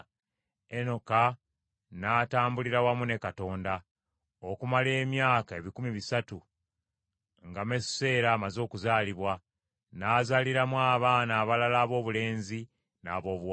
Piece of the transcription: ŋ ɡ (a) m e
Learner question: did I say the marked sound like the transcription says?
yes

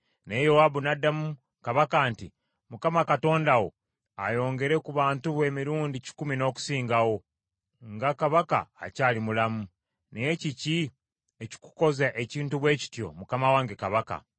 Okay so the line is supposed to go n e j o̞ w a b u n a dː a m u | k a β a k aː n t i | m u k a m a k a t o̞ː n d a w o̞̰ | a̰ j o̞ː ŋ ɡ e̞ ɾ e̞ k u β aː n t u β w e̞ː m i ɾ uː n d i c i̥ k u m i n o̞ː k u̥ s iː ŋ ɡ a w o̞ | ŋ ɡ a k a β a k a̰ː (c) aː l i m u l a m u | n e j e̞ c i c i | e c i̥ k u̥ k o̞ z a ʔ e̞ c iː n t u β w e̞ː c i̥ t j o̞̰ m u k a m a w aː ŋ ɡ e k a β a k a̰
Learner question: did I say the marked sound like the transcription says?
yes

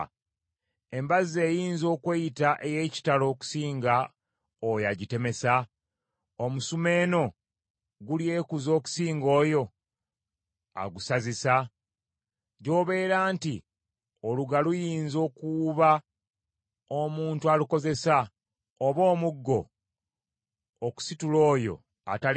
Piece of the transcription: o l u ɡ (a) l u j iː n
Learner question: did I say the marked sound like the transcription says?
yes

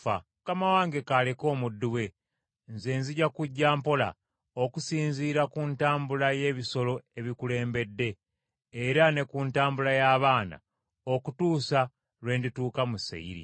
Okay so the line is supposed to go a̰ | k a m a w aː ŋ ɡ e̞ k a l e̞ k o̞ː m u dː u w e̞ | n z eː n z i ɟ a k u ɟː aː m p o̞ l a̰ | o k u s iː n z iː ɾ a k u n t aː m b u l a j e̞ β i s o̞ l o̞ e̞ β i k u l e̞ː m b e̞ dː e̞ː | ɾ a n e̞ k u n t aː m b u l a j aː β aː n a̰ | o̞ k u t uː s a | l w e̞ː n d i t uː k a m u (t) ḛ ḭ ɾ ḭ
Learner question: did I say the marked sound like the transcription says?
no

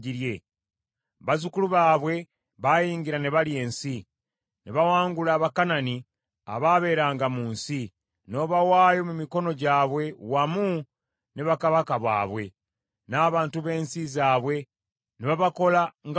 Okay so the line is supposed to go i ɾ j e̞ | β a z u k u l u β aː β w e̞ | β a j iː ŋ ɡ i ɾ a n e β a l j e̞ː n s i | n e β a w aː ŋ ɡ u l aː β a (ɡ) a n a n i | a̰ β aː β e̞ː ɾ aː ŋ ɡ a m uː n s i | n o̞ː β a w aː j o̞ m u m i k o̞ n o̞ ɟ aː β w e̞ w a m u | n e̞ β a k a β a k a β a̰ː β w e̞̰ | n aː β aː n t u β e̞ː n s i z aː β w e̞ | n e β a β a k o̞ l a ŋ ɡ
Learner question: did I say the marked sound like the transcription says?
no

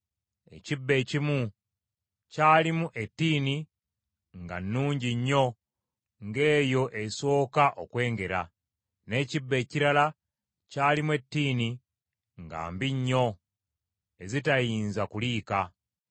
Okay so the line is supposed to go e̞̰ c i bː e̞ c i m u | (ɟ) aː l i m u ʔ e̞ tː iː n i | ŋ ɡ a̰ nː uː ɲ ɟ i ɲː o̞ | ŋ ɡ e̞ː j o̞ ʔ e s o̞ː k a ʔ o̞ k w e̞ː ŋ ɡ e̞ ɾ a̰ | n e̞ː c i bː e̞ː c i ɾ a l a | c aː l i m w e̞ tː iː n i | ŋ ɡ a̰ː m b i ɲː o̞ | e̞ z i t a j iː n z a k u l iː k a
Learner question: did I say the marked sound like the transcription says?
no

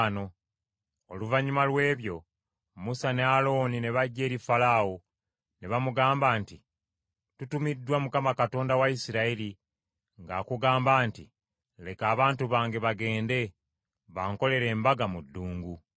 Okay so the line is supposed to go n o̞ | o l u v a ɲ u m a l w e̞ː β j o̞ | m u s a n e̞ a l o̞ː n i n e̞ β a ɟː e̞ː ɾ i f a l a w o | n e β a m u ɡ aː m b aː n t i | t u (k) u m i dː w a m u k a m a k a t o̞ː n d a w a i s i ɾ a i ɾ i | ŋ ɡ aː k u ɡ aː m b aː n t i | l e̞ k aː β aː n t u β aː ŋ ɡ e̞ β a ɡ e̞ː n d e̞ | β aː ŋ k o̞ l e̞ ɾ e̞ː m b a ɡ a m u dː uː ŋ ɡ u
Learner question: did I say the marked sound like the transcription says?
no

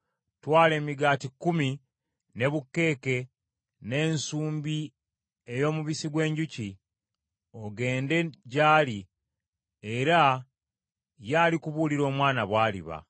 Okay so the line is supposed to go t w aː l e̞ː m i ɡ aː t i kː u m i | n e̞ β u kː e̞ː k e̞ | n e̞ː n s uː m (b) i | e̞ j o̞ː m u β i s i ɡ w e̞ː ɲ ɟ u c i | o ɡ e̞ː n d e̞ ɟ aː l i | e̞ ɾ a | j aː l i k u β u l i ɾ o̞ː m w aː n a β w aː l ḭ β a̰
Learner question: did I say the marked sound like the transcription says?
yes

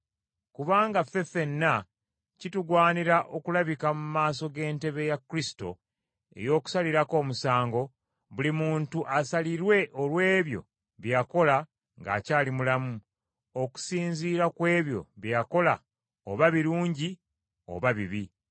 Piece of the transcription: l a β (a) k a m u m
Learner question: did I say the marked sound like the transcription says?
no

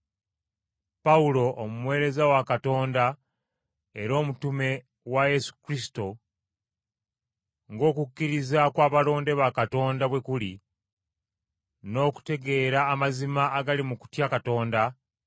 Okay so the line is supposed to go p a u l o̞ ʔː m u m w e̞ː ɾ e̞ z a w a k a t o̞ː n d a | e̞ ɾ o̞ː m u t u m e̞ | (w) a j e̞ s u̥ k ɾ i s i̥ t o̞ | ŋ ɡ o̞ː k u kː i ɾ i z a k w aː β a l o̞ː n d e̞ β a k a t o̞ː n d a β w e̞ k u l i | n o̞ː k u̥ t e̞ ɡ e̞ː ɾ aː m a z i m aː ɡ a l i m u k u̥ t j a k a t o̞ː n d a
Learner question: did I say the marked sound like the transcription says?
yes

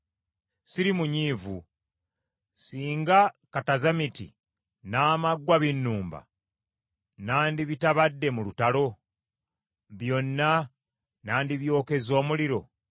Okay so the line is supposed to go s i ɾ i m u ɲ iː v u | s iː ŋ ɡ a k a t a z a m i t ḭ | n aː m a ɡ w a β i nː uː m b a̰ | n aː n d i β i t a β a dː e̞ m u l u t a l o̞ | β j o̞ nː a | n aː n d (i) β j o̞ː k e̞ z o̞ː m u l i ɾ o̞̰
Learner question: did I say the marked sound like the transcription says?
yes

